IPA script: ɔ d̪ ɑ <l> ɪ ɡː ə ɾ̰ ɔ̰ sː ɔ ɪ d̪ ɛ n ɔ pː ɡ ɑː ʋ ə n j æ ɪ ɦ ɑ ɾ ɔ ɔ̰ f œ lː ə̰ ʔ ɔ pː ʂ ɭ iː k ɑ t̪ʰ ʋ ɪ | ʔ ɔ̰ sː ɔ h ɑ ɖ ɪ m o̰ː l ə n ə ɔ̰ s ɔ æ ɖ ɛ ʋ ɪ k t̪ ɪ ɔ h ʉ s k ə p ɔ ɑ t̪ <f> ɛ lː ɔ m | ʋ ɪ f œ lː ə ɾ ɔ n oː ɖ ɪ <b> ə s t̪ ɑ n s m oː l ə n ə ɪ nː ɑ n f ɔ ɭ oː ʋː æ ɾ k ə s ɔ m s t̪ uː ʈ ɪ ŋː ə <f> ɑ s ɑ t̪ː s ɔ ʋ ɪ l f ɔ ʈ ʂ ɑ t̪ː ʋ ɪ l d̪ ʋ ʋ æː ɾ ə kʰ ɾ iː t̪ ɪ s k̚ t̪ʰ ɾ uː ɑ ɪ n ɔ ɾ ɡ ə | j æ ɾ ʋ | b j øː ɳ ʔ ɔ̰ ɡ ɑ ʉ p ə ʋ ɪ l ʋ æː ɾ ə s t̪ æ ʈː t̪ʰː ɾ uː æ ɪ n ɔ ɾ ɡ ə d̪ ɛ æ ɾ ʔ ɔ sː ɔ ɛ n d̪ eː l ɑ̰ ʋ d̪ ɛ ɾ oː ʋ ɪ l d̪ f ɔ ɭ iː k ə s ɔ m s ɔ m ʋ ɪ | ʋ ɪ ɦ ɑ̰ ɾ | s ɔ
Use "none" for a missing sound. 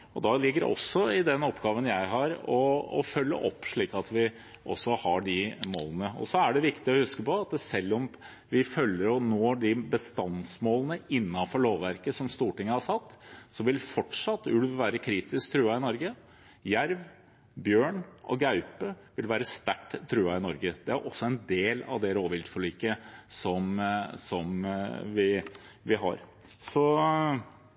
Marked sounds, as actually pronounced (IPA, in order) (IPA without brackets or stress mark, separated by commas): l, s, b, h